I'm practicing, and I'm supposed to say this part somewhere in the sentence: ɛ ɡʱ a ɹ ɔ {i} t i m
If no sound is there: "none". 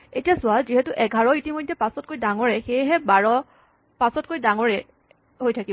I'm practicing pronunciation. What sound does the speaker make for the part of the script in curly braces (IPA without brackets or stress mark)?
i